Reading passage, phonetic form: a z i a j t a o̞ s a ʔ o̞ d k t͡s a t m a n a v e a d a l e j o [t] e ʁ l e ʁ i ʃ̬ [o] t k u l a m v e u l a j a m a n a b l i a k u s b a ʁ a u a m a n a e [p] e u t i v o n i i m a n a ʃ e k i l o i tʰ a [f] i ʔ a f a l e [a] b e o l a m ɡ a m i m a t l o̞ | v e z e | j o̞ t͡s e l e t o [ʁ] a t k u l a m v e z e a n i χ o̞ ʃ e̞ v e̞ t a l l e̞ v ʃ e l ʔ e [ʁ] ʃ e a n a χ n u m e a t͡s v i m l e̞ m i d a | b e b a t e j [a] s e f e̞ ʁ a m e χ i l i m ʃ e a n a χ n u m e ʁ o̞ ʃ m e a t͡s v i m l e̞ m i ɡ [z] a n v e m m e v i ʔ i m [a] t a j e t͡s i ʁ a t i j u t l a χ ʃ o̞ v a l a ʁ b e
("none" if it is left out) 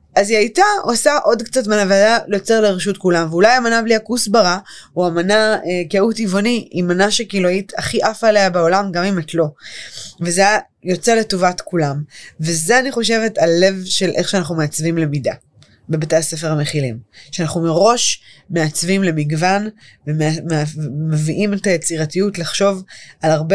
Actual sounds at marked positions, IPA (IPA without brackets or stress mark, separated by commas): t͡s, u, k, χ, a, v, χ, a, v, e